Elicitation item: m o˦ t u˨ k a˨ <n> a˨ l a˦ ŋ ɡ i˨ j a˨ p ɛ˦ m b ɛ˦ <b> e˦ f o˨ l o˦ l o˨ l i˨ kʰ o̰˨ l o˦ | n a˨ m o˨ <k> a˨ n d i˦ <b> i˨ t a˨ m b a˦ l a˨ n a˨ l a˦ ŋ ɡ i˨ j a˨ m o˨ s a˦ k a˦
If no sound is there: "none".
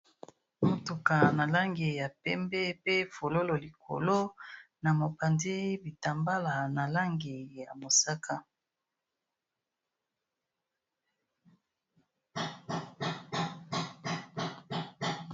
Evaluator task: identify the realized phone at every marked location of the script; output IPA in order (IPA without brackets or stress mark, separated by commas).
n, p, p, b